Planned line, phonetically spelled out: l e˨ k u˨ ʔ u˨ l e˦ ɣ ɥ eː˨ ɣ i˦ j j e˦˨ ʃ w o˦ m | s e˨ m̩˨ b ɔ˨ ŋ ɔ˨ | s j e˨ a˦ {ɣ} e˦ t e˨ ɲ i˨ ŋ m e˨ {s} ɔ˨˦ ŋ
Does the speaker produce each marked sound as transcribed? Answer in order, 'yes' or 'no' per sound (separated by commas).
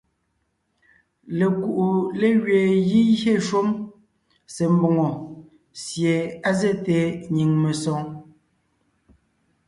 no, yes